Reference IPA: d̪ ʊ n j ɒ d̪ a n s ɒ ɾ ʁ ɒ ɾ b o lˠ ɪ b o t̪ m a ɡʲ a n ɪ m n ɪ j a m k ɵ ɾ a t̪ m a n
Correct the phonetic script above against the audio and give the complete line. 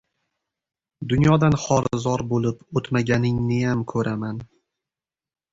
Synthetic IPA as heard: d̪ ʊ n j ɒ d̪ a n χ ɒ ɾ z ɒ ɾ b o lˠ ɪ p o t̪ m a ɡʲ a n ɪ ŋ n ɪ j a m kʰ ɵ ɾ a m a n